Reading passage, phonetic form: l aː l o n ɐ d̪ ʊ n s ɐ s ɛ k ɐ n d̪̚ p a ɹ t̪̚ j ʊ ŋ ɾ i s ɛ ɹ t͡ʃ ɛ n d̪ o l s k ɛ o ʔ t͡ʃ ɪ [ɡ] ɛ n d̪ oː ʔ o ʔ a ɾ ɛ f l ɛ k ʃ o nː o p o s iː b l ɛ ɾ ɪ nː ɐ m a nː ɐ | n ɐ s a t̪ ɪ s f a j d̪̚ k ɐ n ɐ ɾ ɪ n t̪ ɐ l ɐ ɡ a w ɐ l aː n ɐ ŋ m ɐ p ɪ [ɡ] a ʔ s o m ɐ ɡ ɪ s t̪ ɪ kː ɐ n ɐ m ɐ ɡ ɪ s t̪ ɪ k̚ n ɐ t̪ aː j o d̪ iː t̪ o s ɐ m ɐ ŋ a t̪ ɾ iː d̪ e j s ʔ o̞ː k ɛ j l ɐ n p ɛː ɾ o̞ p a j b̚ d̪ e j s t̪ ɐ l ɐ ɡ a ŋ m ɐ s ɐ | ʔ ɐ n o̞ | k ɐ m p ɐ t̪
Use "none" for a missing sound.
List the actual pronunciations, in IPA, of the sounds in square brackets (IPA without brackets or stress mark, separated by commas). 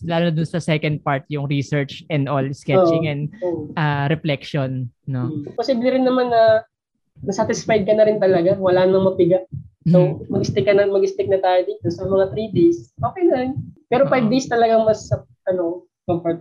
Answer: ŋ, ɡ